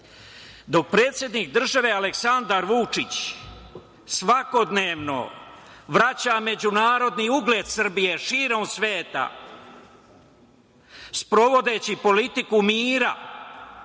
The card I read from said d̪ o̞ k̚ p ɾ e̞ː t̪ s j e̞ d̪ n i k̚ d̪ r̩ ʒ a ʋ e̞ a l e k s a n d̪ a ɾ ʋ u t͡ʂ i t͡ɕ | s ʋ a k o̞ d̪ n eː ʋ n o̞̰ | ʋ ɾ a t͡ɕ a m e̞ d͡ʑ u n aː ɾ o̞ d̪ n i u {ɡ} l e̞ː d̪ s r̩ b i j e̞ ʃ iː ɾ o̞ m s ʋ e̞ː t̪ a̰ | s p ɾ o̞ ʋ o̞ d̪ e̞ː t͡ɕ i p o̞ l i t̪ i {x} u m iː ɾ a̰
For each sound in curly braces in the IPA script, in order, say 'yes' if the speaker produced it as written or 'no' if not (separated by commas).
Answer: yes, no